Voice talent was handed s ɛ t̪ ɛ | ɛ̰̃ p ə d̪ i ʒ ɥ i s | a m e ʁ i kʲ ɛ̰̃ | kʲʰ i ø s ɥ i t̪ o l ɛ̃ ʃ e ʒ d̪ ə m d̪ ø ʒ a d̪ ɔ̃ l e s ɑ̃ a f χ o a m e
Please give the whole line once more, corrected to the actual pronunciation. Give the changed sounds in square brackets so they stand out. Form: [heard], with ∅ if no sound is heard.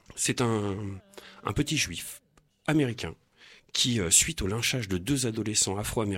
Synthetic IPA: s ɛ t̪ [ɛ̃] | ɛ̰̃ p ə [t̪] i ʒ ɥ i [f] | a m e ʁ i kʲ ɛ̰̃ | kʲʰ i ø s ɥ i t̪ o l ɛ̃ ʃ [a] ʒ d̪ ə [∅] d̪ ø [z] a d̪ [ɔ] l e s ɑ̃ a f χ o a m e